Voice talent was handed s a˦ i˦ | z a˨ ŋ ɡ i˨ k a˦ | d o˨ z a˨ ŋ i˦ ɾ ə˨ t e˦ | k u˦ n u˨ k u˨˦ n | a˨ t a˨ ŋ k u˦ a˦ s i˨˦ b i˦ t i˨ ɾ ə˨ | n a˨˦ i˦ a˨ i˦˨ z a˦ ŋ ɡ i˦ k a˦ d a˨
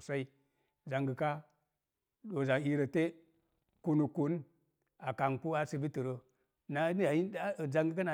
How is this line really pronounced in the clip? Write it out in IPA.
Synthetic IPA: s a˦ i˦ | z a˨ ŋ ɡ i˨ k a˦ | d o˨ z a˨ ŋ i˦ ɾ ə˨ t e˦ | k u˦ n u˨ k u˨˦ n | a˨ k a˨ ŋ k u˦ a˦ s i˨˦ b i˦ t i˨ ɾ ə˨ | n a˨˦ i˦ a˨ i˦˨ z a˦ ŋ ɡ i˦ k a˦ n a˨